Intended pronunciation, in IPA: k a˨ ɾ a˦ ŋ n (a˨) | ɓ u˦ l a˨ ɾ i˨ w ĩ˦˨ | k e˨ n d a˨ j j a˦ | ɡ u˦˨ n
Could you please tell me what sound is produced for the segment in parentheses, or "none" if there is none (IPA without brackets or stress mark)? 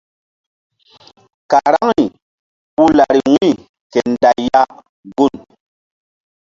i˨